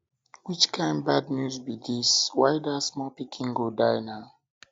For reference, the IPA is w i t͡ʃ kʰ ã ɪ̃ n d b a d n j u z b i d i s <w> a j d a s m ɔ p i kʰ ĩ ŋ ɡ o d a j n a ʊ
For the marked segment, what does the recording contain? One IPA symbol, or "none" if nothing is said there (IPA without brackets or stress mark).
w